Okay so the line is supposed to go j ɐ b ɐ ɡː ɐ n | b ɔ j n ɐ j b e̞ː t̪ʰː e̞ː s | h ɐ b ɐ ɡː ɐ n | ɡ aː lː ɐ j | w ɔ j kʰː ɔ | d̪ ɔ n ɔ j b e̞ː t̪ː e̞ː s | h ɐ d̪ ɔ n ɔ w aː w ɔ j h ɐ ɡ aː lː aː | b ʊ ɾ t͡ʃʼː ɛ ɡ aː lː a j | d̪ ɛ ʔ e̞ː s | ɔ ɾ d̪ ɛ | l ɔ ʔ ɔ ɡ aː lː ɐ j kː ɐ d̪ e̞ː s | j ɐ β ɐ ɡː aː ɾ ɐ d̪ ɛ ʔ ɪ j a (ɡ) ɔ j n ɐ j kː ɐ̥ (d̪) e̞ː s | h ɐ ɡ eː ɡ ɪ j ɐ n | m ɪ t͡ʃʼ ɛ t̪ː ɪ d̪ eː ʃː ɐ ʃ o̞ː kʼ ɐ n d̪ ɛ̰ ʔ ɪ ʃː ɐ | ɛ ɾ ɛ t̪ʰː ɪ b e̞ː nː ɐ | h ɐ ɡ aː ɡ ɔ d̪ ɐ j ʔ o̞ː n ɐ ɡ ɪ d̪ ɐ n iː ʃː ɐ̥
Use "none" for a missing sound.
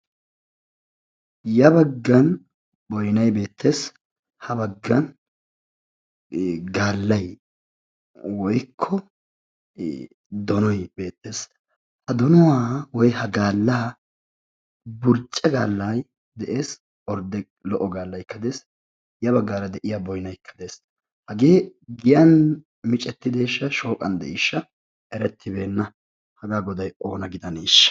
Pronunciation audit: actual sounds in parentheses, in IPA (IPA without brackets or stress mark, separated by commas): b, d̪